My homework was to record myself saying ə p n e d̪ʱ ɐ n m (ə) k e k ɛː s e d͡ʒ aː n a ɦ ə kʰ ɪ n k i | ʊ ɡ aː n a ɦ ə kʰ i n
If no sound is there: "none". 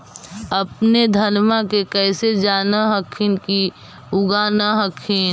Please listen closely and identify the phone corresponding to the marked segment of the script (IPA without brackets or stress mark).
a